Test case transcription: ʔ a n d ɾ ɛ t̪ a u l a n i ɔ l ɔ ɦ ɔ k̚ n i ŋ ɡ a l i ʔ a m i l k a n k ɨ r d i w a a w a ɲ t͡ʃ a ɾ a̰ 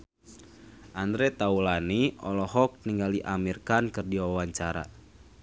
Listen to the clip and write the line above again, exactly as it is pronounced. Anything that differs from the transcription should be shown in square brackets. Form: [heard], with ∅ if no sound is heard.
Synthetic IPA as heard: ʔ a n d ɾ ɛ t̪ a u l a n i ɔ l ɔ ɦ ɔ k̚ n i ŋ ɡ a l i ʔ a m i [r] k a n k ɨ r d i w a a w a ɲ t͡ʃ a ɾ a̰